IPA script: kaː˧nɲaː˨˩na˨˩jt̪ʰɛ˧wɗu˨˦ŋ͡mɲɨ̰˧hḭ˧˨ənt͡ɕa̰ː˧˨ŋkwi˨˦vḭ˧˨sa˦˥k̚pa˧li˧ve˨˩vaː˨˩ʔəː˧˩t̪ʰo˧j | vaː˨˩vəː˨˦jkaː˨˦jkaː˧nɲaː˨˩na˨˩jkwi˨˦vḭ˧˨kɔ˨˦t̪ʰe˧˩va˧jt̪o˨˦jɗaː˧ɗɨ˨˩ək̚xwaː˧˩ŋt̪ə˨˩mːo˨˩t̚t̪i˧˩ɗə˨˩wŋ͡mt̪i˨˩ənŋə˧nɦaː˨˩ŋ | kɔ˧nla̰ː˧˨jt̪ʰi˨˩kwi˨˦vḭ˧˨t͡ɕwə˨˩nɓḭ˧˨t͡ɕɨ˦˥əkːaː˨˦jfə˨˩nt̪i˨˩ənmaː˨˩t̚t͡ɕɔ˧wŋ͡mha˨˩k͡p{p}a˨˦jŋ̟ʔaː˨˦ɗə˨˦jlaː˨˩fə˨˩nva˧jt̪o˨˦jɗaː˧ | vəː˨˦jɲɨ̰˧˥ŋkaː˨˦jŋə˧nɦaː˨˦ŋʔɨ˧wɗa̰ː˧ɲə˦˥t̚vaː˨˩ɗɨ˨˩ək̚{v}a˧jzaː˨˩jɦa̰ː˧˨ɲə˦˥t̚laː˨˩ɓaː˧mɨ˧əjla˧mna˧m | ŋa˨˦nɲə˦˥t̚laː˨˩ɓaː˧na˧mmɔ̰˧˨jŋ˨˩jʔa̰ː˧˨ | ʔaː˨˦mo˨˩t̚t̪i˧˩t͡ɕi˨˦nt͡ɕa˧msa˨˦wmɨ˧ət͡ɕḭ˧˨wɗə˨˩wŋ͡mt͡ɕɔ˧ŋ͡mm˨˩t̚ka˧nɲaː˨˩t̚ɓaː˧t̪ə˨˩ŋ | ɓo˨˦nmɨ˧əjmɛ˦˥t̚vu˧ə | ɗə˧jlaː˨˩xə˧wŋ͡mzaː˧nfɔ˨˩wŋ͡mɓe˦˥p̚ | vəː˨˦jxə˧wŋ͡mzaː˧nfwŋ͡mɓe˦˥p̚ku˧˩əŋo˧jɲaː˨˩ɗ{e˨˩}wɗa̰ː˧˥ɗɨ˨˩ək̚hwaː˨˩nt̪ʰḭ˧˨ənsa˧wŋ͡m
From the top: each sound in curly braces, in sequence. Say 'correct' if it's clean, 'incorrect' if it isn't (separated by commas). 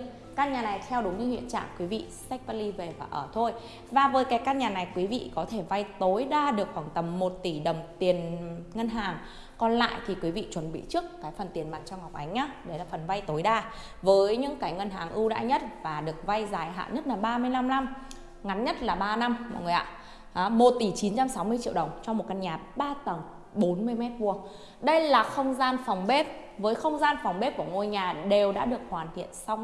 incorrect, correct, correct